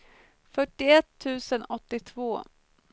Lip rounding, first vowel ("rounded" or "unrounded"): rounded